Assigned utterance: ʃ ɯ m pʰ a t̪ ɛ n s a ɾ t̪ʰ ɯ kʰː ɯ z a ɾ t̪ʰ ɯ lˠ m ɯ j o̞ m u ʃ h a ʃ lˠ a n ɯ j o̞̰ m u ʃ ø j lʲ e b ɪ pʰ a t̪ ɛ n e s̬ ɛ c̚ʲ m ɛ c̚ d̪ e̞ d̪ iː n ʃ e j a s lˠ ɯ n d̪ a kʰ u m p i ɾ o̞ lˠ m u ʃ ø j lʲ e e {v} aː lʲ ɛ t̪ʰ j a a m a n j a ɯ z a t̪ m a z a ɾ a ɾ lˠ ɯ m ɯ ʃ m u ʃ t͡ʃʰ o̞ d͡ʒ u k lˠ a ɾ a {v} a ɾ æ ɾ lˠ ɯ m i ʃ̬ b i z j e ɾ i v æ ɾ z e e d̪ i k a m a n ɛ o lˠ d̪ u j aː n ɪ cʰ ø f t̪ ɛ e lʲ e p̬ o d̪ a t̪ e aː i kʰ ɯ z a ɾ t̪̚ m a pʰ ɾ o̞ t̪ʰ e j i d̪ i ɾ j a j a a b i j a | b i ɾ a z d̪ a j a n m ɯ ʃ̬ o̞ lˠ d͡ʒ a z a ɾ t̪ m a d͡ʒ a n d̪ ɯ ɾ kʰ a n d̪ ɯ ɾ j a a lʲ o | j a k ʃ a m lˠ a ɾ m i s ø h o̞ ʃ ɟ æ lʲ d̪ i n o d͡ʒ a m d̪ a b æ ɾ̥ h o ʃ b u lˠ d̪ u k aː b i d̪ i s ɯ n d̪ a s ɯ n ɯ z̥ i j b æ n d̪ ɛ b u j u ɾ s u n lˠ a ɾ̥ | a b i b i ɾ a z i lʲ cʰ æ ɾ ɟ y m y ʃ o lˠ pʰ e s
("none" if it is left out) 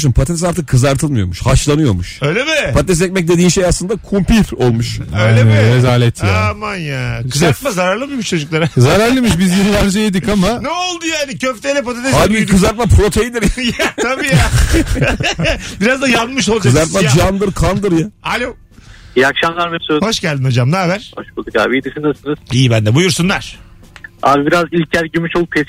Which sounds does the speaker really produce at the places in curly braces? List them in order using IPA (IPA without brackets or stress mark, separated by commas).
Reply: z, z